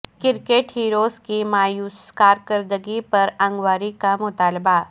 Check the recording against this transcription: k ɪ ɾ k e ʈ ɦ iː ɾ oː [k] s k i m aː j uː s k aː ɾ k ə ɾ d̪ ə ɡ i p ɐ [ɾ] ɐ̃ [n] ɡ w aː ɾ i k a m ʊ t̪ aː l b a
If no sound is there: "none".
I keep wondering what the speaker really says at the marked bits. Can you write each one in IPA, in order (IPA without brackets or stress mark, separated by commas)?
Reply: none, ɾ, ŋ